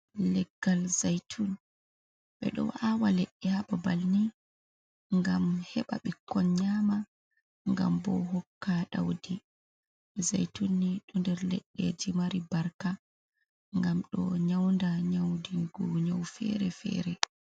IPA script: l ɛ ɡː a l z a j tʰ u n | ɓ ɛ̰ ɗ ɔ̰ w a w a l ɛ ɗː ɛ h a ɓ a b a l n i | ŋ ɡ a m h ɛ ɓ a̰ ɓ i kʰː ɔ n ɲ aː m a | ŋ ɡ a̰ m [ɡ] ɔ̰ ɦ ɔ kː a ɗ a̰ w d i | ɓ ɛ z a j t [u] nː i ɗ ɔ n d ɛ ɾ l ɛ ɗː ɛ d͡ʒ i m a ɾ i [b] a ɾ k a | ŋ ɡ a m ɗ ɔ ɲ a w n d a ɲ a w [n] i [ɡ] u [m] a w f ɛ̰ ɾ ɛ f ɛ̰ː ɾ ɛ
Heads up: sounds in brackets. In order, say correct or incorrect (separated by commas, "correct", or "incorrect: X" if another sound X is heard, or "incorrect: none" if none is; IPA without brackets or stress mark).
incorrect: b, correct, correct, incorrect: d, correct, incorrect: ɲ